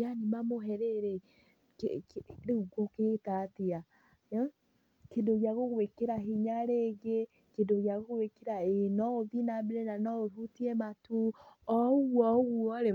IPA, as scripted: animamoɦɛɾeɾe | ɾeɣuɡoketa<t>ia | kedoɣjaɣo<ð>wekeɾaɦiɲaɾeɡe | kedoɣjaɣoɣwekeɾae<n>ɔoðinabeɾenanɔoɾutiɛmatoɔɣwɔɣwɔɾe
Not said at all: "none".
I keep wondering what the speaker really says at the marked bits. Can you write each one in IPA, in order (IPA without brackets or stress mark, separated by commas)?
t, ɣ, n